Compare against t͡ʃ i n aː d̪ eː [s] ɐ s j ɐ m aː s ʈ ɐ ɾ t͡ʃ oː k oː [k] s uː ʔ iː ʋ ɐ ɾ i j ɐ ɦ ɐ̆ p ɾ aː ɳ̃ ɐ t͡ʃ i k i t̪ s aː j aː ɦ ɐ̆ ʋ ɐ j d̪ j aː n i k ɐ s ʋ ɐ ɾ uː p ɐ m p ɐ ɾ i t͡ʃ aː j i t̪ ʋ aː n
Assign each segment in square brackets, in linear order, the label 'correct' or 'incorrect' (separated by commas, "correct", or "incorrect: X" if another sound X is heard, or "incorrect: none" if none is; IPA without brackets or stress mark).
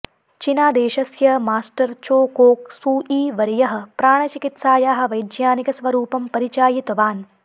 incorrect: ʃ, correct